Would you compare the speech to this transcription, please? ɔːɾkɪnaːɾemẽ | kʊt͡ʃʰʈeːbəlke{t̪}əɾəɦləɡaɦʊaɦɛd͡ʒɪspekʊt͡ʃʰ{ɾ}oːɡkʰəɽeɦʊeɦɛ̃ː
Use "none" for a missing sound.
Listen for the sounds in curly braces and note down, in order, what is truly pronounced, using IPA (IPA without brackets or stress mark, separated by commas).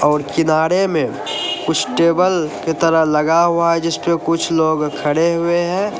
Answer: t̪, l